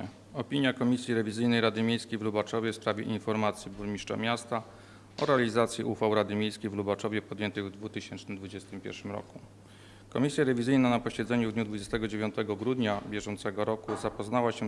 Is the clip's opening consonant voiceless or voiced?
voiceless